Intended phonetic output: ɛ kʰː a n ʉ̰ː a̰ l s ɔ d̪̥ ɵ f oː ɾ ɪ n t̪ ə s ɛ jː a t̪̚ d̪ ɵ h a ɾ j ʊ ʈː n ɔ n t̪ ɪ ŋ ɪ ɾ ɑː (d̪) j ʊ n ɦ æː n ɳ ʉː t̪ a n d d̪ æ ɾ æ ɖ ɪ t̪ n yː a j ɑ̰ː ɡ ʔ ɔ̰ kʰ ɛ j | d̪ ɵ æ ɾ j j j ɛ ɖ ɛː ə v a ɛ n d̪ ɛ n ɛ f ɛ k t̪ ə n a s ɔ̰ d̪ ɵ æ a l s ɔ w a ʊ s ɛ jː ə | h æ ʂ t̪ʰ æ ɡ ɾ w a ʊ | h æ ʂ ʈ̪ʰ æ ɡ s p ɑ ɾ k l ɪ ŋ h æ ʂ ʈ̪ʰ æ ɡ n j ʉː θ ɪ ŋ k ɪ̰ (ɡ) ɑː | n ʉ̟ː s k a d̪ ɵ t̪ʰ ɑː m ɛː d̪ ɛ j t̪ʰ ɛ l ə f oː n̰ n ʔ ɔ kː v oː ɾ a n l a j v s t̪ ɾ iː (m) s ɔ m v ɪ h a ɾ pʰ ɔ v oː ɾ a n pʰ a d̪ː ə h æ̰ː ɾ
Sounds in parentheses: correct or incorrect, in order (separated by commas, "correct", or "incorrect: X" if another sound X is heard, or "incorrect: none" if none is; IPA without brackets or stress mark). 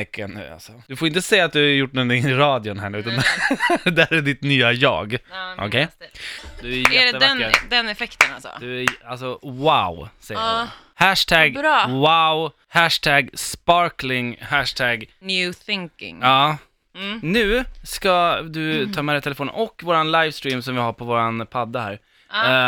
correct, incorrect: ŋ, correct